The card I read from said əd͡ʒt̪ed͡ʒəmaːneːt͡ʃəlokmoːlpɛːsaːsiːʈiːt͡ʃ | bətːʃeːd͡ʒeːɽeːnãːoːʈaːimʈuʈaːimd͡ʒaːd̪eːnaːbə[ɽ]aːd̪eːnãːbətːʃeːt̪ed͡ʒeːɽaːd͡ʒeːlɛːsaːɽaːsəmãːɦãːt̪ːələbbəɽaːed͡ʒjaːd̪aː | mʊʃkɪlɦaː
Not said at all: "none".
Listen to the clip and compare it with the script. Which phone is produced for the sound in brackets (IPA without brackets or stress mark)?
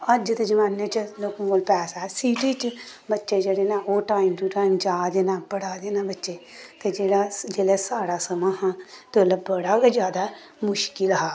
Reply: ɽ